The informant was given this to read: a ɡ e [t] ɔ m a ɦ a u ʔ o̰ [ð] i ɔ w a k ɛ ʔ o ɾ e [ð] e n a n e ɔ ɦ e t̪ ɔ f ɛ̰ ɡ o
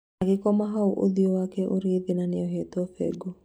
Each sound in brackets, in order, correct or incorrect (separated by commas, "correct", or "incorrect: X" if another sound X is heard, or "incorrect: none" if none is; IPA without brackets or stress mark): incorrect: k, correct, correct